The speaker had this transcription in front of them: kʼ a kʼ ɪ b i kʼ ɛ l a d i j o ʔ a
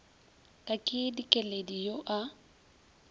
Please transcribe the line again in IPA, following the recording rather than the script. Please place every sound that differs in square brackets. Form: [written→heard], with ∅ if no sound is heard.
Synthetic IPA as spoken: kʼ a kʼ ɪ [b→d] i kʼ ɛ l [a→e] d i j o ʔ a